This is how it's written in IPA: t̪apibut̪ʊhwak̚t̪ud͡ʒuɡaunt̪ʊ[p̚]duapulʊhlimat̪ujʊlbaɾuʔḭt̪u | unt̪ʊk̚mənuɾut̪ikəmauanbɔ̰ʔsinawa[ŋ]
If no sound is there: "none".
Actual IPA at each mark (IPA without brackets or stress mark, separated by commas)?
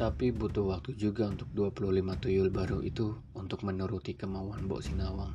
k̚, ŋ